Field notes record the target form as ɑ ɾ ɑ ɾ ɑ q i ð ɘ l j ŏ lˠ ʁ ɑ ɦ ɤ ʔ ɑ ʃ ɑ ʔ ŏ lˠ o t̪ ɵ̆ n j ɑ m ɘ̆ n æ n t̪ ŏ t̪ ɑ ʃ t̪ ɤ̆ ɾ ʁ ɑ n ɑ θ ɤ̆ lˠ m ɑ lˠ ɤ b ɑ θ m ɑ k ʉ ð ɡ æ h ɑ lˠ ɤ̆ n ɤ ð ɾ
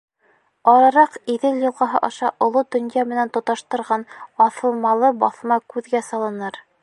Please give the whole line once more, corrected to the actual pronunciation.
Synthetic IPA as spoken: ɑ ɾ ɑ ɾ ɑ q i ð ɘ l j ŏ lˠ ʁ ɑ ɦ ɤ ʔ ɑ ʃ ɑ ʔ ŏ lˠ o d̪ ɵ̆ n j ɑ m ɘ̆ n æ n t̪ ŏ t̪ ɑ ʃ t̪ ɤ̆ ɾ ʁ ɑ n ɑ θ ɤ̆ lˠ m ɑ lˠ ɤ b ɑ θ m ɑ k ʉ ð ɡ æ s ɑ lˠ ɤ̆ n ɤ ɾ